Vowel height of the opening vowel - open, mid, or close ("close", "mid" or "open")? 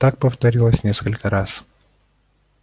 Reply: open